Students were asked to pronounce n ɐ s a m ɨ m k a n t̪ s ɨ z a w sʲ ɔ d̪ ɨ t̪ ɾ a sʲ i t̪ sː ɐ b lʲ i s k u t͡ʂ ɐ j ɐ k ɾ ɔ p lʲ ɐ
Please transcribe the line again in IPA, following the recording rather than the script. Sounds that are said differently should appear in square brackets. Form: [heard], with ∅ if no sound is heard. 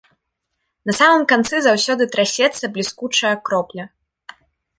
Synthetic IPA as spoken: n ɐ s a m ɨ m k a n t̪ s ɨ z a w sʲ ɔ d̪ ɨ t̪ ɾ a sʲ [ɛ] t̪ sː ɐ b lʲ i s k u t͡ʂ ɐ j ɐ k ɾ ɔ p lʲ ɐ